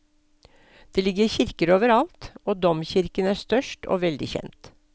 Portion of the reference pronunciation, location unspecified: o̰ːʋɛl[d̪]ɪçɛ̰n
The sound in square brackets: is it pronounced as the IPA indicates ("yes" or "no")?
yes